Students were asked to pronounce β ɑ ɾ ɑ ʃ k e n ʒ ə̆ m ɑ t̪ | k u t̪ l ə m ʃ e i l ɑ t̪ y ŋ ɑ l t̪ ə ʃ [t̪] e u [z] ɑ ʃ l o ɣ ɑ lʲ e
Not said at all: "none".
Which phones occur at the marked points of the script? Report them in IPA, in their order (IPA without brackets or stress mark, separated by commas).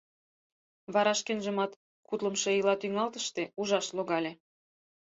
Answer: t̪, ʒ